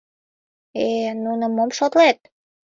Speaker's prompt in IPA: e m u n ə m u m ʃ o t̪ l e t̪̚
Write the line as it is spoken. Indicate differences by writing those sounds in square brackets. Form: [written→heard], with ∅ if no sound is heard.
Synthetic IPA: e [m→n] u n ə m [u→o] m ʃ o t̪ l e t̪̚